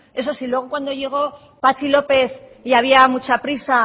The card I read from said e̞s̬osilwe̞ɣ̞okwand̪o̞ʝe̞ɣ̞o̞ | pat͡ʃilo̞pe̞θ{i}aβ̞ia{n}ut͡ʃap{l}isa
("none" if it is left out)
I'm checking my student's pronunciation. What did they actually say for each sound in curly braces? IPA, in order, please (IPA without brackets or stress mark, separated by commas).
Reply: i, m, ɾ